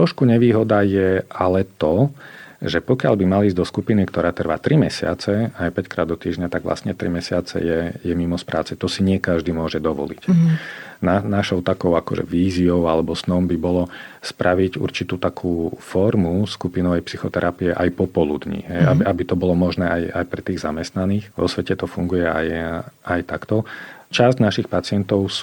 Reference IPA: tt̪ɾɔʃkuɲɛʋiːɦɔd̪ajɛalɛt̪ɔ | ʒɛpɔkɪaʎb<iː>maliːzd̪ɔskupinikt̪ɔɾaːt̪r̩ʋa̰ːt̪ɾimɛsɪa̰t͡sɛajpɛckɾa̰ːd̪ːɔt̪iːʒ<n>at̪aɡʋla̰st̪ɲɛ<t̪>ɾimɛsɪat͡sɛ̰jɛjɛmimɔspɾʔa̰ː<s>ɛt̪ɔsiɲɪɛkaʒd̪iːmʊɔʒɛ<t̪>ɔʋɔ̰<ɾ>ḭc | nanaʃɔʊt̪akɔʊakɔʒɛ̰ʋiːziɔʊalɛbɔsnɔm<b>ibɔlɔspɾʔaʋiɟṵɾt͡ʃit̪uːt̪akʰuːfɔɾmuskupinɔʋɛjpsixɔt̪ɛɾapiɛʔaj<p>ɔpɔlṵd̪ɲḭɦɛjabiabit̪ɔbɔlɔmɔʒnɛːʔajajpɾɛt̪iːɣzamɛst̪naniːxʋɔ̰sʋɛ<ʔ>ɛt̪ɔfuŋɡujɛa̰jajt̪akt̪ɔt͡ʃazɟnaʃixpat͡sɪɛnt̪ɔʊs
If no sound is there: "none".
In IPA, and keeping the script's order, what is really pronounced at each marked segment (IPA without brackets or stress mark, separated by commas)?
i, ɲ, t̪, t͡s, d̪, l, b, p, c